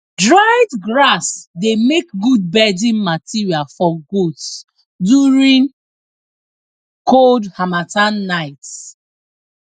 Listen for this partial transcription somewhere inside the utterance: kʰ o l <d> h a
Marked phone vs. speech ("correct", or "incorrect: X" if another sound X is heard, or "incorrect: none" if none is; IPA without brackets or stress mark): correct